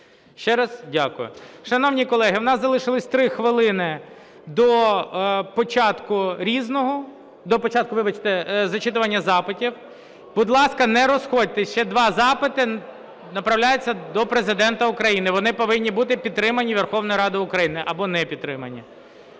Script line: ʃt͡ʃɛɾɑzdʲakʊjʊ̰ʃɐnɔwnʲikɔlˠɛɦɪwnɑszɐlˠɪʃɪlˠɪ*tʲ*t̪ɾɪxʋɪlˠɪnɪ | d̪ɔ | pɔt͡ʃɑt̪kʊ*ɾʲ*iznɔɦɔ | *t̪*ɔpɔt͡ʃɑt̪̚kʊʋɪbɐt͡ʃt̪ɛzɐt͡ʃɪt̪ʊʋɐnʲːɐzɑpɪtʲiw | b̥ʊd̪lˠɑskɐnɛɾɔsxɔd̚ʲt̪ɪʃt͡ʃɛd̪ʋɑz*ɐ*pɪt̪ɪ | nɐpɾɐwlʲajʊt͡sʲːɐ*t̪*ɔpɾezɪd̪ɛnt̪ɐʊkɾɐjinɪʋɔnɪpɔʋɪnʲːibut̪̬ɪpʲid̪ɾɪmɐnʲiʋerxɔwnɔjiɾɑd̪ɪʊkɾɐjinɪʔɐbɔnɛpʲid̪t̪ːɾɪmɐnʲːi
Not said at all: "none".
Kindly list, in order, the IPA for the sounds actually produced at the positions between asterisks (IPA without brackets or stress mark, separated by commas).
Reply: sʲ, ɾʲ, d̪, ɑ, d̪